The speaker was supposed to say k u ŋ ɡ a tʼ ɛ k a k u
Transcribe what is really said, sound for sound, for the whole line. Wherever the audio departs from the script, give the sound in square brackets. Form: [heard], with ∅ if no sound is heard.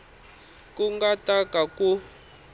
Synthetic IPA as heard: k u ŋ ɡ a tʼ [a] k a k u